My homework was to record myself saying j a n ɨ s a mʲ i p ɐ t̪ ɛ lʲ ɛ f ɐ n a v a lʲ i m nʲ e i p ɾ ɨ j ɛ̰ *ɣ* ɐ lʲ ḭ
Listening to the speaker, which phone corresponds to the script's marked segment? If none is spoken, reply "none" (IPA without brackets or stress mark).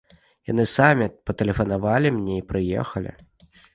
x